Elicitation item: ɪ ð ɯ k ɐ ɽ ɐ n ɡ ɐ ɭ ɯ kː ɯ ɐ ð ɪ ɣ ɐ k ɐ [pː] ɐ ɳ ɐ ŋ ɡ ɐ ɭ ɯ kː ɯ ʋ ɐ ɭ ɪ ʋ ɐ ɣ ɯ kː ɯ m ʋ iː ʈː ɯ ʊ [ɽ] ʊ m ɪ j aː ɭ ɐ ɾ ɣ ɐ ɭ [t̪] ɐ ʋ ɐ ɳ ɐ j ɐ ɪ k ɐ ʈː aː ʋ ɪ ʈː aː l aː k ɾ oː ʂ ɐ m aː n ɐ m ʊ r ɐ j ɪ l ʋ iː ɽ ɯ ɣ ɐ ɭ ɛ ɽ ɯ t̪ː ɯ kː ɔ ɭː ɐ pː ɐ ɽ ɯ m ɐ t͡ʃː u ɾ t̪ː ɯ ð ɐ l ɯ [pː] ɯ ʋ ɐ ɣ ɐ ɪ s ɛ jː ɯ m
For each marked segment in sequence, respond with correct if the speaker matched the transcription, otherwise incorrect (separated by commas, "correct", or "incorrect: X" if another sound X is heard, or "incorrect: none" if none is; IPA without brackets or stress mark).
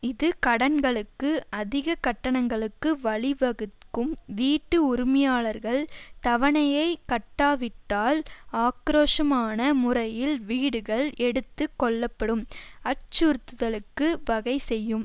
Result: incorrect: ʈː, incorrect: ɾ, correct, incorrect: kː